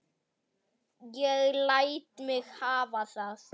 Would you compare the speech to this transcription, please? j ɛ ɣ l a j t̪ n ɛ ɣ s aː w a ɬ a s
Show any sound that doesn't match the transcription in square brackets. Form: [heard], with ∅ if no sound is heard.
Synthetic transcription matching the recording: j ɛ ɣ l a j t̪ [m] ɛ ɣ [h] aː [v] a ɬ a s